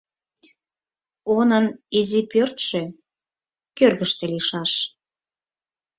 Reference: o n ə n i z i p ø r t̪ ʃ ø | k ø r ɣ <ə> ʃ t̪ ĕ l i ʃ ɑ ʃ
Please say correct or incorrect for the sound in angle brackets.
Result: correct